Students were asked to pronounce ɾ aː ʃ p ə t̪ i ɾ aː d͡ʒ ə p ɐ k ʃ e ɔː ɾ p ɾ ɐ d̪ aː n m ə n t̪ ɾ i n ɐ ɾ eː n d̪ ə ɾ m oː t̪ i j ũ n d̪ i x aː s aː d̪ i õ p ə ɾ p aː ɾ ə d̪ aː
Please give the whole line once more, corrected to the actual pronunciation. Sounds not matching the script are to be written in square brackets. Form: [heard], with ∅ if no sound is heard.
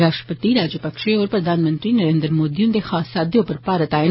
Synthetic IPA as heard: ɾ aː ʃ p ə t̪ i ɾ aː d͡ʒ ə p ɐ k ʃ e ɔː ɾ p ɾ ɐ d̪ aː n m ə n t̪ ɾ i n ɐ ɾ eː n d̪ ə ɾ m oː [d̪] i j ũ n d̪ [e] x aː s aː d̪ [j] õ p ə ɾ p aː ɾ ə [t̪] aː